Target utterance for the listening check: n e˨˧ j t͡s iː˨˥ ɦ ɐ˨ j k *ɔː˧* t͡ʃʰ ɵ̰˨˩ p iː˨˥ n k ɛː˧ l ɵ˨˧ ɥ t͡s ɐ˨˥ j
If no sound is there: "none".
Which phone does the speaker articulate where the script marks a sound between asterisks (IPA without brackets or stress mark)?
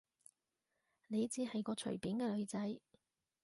ɔː˧